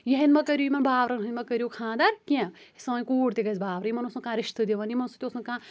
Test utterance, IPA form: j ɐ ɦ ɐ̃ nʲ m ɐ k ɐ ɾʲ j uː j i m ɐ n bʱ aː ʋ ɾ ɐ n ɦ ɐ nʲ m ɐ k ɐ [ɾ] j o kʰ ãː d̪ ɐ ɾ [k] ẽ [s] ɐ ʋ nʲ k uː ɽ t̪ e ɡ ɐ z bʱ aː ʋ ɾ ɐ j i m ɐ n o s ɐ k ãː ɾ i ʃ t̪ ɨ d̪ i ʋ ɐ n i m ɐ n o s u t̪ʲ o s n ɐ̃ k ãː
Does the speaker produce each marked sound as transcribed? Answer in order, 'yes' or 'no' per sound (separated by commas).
yes, yes, yes